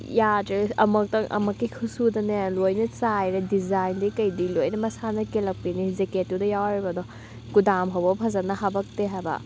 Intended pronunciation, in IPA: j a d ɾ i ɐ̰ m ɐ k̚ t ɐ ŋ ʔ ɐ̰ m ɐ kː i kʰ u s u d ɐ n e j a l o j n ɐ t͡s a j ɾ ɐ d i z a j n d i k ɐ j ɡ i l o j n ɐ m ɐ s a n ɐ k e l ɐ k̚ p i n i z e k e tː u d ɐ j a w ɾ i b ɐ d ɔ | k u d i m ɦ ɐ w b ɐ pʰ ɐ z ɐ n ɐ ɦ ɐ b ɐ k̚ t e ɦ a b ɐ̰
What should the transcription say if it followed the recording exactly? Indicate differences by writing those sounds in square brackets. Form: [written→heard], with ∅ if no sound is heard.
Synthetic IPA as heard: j a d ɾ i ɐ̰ m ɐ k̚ t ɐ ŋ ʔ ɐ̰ m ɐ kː i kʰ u s u d ɐ n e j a l o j n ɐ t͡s a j ɾ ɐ d i z a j n d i k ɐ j [ɡ→d] i l o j n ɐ m ɐ s a n ɐ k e l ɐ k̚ p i n i z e k e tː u d ɐ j a w ɾ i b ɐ d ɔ | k u d [i→a] m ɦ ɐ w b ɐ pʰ ɐ z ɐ n ɐ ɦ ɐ b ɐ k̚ t e ɦ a b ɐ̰